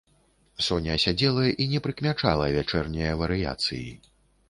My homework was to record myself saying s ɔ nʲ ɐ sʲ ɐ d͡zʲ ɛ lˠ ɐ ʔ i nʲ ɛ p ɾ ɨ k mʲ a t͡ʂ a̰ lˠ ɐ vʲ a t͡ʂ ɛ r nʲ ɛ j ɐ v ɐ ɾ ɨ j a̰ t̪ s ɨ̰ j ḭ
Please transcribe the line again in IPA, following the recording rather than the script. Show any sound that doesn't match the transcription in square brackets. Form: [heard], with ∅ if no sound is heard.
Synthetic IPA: s ɔ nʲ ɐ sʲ [a] d͡zʲ ɛ lˠ ɐ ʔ i nʲ ɛ p ɾ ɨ k mʲ a t͡ʂ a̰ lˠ ɐ vʲ a t͡ʂ ɛ r nʲ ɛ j ɐ v ɐ ɾ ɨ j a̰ t̪ s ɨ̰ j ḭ